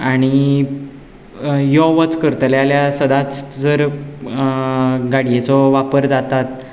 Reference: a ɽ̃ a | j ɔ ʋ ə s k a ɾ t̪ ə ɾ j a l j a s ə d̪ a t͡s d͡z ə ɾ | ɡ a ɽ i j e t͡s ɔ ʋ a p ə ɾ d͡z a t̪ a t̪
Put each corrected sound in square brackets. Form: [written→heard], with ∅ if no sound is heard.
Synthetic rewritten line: a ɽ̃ [a→i] | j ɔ ʋ ə [s→t͡s] k [a→ə] ɾ t̪ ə [ɾ→l] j a l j a s ə d̪ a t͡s d͡z ə ɾ | ɡ a ɽ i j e t͡s ɔ ʋ a p ə ɾ d͡z a t̪ a t̪